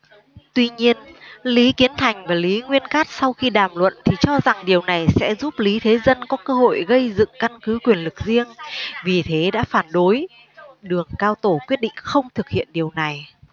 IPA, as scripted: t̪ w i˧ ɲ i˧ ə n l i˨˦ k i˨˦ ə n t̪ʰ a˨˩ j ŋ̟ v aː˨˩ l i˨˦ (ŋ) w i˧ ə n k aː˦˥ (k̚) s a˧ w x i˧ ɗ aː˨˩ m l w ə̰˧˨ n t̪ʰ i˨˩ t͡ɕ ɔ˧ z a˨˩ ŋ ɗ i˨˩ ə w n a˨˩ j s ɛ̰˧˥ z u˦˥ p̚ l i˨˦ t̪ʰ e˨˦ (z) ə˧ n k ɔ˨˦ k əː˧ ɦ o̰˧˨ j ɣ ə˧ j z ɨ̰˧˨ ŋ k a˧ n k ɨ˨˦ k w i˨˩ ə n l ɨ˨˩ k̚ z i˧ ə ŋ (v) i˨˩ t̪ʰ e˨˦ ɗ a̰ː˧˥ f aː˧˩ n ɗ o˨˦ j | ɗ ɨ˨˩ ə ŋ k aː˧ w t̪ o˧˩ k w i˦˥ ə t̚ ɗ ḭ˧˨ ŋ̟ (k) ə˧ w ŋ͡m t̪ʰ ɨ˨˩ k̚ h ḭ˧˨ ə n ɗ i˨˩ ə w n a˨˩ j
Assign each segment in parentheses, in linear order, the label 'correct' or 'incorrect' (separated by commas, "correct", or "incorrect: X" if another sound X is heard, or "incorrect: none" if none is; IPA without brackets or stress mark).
correct, incorrect: t̚, correct, correct, incorrect: x